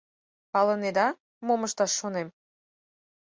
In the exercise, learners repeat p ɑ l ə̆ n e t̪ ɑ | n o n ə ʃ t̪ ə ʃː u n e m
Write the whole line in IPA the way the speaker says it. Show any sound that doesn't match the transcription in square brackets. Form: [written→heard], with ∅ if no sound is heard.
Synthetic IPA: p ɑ l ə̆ n e [t̪→d̪] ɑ | [n→m] o [n→m] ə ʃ t̪ [ə→ɑ] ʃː [u→o] n e m